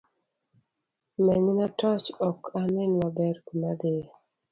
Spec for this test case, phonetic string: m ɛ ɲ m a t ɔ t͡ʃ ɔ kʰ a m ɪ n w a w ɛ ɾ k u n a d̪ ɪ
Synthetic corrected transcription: m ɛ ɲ n a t ɔ t͡ʃ ɔ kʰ a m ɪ n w a b ɛ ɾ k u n a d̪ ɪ